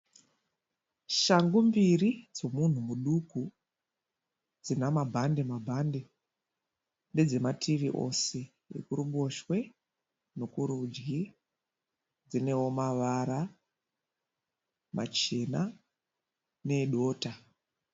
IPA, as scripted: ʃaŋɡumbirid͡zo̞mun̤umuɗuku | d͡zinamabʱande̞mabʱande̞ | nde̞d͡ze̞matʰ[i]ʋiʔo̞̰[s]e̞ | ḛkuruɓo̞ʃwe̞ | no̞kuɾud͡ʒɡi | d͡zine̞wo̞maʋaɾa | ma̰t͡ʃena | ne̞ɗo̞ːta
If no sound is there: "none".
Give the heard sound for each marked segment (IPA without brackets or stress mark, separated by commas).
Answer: i, s